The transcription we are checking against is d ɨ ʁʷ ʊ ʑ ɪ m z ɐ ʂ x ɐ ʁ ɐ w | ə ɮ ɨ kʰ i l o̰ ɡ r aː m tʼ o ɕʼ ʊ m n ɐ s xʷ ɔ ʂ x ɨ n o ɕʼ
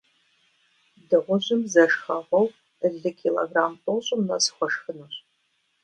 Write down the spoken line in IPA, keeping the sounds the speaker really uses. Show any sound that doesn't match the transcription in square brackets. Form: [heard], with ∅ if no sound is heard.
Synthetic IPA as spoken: d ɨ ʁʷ ʊ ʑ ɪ m z ɐ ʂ x ɐ ʁ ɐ w | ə ɮ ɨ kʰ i l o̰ ɡ r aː m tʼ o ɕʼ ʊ m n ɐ s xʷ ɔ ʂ x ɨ n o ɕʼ

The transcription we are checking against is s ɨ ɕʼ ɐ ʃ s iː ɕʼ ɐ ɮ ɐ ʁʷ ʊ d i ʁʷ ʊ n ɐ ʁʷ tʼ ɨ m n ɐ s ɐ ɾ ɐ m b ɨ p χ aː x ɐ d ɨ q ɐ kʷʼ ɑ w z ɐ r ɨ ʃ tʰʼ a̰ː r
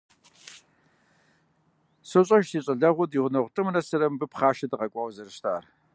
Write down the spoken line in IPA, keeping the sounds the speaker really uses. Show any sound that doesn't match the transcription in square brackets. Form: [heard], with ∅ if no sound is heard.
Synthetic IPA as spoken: s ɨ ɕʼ ɐ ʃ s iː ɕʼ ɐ ɮ ɐ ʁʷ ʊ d i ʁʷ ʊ n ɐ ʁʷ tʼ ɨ m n ɐ s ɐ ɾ ɐ m b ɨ p χ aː [ʃ] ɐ d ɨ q ɐ kʷʼ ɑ w z ɐ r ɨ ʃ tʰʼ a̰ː r

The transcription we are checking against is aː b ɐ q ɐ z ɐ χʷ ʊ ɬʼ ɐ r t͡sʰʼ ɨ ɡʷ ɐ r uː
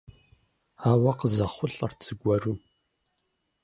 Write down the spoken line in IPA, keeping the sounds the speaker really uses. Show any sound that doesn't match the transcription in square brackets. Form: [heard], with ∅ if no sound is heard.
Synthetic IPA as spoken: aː [w] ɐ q [ə] z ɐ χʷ ʊ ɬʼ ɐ r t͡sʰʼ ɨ ɡʷ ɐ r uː

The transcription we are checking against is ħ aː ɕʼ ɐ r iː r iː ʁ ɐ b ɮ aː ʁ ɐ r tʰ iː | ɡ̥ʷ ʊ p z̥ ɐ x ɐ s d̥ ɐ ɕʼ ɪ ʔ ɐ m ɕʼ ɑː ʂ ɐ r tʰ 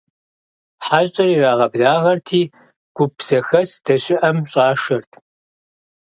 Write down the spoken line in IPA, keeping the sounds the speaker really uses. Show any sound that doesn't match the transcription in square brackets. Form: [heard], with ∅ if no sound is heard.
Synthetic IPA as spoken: ħ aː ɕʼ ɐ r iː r [aː] ʁ ɐ b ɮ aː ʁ ɐ r tʰ iː | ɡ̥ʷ ʊ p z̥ ɐ x ɐ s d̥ ɐ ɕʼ ɪ ʔ ɐ m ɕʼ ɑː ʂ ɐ r tʰ

